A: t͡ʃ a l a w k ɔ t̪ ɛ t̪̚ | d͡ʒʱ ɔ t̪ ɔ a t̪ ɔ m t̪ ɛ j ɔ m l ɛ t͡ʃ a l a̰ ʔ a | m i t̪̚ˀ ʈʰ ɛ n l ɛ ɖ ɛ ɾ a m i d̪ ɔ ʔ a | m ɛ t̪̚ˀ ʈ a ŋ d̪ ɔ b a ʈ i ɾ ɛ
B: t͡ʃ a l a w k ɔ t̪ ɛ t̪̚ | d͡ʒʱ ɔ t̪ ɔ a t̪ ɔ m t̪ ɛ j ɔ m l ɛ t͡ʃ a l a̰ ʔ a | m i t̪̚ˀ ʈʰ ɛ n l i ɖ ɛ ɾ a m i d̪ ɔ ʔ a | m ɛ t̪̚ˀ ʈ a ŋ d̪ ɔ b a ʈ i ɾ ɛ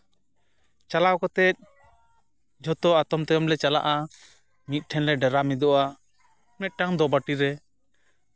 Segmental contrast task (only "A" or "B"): A